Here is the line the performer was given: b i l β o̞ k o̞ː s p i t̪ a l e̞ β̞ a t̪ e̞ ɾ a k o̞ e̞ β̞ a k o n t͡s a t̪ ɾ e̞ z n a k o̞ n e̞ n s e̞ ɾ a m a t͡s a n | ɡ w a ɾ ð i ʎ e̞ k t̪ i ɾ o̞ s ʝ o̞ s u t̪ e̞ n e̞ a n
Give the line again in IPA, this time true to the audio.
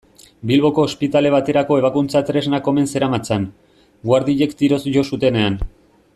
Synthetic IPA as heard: b i l β o̞ k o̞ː s p i t̪ a l e̞ β̞ a t̪ e̞ ɾ a k o̞ e̞ β̞ a k u n t͡s a t̪ ɾ e̞ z n a k o̞ m e̞ n s e̞ ɾ a m a t͡s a n | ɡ w a ɾ ð i ʎ e̞ k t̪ i ɾ o̞ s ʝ o̞ s u t̪ e̞ n e̞ a n